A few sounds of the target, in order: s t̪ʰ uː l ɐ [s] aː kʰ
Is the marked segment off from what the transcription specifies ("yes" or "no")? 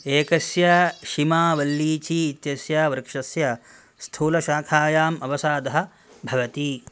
yes